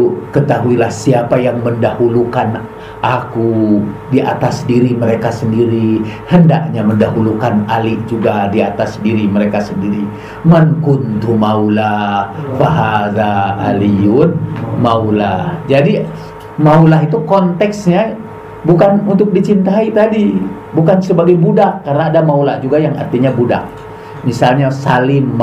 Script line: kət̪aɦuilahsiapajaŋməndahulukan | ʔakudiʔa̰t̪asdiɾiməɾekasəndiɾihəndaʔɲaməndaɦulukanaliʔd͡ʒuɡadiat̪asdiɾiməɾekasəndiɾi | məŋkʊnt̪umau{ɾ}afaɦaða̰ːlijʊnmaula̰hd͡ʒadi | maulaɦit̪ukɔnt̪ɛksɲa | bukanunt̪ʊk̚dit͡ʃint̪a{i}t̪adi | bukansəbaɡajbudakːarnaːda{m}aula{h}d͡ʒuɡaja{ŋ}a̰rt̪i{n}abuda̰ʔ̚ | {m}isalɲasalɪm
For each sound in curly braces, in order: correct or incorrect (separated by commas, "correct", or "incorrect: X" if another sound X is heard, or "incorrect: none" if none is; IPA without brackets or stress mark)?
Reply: incorrect: l, correct, correct, correct, correct, incorrect: ɲ, correct